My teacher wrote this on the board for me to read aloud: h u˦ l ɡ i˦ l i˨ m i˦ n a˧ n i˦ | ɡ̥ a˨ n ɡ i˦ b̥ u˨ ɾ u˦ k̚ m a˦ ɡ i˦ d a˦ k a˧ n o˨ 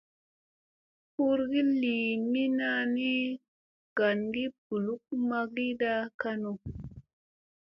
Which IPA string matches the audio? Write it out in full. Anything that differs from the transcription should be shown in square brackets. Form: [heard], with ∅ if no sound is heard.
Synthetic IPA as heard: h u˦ [ɾ] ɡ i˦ l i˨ m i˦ n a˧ n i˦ | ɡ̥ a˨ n ɡ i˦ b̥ u˨ [l] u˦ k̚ m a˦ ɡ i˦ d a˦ k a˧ n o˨